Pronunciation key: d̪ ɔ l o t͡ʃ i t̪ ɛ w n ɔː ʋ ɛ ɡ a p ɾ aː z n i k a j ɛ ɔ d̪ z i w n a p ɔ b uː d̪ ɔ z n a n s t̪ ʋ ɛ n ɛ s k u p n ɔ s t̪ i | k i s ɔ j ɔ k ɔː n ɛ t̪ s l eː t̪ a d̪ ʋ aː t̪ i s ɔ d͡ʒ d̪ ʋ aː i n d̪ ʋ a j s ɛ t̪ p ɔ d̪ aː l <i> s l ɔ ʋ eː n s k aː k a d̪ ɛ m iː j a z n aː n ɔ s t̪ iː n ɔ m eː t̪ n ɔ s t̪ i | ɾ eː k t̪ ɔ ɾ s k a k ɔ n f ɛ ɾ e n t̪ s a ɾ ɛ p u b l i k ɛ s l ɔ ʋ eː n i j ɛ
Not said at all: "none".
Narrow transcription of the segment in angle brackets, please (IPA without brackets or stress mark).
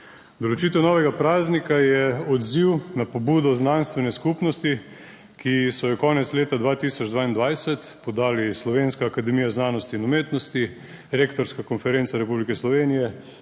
i